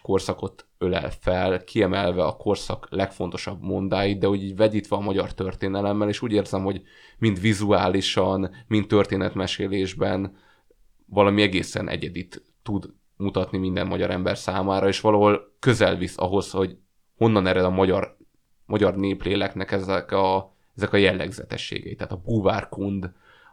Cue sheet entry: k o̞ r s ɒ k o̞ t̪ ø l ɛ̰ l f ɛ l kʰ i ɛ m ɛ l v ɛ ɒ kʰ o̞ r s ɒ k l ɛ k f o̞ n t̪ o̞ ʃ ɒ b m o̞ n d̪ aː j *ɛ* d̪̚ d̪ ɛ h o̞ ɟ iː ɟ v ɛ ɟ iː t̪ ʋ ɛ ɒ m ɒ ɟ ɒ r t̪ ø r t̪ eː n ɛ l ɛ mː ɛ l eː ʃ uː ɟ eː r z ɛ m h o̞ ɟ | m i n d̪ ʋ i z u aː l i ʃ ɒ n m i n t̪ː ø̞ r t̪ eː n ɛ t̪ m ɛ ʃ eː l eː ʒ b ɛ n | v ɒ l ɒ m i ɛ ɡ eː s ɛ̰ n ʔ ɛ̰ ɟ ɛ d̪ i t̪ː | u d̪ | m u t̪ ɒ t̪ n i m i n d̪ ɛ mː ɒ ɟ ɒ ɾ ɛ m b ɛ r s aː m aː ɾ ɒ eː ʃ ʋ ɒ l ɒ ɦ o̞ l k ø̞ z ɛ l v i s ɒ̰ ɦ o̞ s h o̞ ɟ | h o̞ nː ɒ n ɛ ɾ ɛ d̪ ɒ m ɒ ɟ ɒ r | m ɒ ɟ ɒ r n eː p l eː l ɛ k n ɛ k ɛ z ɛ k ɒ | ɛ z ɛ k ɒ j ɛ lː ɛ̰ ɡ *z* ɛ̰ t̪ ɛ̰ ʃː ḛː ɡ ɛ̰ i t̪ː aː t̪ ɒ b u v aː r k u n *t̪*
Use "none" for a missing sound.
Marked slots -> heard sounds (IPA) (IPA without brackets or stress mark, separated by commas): i, z, d̪